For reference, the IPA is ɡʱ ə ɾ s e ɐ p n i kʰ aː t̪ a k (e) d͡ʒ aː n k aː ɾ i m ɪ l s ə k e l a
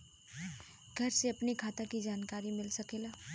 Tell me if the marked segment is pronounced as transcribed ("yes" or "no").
no